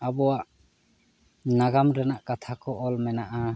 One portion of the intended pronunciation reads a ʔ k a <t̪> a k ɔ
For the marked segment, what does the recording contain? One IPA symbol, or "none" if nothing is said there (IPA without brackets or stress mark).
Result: t̪ʰ